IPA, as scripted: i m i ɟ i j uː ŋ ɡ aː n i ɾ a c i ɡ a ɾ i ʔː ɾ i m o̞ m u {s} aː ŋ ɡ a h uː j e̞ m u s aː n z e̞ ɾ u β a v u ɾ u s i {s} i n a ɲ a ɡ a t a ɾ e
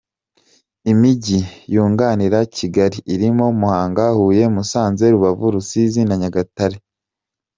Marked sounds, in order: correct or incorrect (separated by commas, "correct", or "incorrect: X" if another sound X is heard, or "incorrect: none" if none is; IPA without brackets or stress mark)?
incorrect: h, incorrect: z